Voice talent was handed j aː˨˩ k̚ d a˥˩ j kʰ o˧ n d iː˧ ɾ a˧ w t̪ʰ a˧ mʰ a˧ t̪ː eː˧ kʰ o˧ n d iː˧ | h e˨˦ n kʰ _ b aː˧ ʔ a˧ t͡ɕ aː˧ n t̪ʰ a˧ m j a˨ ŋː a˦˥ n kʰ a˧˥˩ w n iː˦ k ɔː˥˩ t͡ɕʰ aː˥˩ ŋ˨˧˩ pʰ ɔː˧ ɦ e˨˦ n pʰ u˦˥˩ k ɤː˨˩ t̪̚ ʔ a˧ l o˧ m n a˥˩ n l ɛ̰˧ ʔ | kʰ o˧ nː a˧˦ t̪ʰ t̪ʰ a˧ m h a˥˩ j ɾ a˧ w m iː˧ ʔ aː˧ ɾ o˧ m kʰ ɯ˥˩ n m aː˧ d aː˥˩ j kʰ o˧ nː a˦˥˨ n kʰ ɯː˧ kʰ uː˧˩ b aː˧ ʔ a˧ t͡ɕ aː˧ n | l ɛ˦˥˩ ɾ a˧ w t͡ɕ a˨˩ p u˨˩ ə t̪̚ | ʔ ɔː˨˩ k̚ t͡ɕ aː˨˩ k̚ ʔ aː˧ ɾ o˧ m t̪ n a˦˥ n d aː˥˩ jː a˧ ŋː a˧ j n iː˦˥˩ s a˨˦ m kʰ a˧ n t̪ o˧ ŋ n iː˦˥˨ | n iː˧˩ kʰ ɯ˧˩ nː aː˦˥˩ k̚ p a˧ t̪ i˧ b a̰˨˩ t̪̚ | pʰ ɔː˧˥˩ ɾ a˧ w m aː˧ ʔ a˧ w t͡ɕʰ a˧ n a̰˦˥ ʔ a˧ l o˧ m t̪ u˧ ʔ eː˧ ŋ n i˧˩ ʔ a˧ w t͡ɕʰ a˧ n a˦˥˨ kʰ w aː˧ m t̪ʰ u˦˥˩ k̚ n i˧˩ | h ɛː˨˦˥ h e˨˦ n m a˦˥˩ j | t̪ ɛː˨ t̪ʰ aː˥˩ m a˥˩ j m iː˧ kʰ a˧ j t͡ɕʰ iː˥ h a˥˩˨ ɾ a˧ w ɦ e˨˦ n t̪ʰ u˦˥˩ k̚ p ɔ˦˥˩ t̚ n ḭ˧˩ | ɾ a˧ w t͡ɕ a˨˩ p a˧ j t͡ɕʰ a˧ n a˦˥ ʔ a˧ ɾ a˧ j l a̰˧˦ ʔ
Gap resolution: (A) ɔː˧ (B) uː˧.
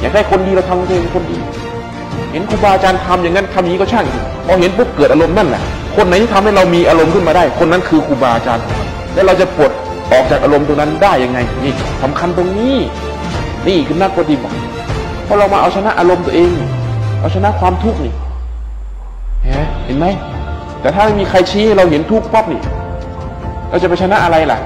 B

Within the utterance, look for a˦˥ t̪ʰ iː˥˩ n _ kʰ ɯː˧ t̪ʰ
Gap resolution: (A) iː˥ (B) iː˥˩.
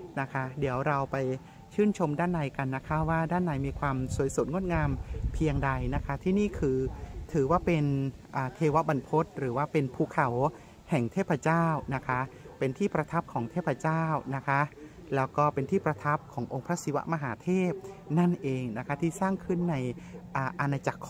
B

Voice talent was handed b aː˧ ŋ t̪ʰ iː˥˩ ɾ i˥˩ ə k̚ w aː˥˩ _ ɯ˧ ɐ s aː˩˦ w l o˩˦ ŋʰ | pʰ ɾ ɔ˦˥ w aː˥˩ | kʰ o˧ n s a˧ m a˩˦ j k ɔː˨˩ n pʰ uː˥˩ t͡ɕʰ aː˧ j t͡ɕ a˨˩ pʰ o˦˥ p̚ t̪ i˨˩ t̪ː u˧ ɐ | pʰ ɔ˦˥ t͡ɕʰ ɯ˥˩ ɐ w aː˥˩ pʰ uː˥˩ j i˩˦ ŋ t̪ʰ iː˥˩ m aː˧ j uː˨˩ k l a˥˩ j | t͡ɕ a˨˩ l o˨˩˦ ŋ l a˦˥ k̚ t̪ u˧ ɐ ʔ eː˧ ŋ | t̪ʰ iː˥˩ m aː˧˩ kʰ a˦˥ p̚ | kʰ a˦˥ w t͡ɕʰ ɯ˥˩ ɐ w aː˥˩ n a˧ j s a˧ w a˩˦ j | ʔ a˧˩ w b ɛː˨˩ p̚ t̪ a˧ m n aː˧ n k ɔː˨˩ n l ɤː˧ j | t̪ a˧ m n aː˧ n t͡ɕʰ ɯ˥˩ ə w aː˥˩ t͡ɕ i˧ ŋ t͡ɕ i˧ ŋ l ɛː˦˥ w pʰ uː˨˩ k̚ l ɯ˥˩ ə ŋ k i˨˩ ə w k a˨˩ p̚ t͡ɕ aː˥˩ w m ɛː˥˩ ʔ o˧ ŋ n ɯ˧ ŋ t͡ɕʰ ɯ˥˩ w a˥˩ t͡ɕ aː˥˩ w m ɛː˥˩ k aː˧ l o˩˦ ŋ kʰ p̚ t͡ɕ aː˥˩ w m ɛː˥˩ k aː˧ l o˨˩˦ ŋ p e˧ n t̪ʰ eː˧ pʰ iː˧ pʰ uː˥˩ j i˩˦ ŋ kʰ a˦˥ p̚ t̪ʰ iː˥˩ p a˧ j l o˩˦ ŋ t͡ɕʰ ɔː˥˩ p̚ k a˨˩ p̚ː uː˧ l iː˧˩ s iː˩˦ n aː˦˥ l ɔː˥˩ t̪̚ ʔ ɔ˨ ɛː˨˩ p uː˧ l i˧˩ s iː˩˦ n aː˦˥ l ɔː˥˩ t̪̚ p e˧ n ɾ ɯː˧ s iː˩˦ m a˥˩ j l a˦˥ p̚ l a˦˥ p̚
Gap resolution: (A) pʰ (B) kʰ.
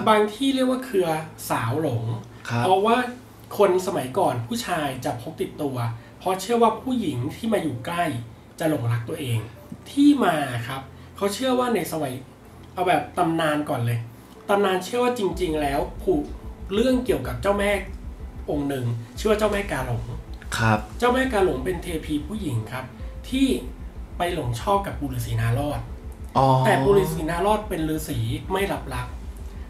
B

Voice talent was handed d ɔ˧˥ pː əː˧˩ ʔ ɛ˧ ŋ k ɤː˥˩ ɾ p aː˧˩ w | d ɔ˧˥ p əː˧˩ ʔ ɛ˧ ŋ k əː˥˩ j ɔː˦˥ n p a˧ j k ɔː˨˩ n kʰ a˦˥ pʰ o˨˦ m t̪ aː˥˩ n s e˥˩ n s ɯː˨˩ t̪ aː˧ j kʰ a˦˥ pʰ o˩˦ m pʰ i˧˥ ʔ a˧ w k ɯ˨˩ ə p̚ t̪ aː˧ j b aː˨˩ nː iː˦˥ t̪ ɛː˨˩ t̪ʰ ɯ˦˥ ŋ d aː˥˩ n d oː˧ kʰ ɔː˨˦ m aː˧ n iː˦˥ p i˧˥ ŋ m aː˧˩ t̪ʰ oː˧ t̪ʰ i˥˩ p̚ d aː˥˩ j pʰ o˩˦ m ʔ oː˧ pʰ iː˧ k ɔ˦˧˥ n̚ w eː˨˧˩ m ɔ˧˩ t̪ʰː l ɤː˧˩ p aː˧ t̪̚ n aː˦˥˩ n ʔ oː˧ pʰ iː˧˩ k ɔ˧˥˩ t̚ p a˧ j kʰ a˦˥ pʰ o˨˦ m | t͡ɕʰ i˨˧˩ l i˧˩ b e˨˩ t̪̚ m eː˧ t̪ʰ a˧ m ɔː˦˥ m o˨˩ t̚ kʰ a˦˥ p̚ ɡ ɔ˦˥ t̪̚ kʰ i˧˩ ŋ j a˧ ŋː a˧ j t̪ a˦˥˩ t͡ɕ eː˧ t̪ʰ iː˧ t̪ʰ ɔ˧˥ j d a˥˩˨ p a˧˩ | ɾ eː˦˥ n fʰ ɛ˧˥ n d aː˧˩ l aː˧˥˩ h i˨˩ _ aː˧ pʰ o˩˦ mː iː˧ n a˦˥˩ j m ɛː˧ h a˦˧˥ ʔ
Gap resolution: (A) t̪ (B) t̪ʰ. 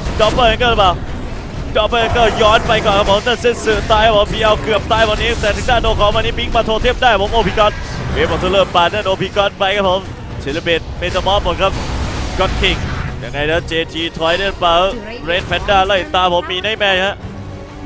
A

